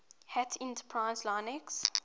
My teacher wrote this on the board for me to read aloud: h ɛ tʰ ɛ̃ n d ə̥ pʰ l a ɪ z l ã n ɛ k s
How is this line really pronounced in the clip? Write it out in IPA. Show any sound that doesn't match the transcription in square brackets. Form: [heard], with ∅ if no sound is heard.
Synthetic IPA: h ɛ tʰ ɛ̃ n [t] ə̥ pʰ [ɹ] a ɪ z l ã n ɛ k s